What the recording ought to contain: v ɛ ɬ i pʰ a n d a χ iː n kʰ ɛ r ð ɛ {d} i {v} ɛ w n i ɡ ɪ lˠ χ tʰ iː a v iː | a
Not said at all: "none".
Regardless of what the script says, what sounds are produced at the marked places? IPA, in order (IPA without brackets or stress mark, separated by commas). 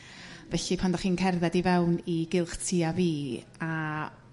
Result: d, v